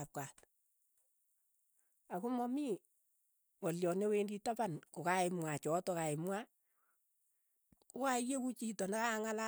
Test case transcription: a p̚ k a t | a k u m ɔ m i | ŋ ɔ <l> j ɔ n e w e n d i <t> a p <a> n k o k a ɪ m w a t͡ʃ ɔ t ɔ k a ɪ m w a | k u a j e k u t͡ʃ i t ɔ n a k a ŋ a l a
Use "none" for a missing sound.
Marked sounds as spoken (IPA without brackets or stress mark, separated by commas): l, t, a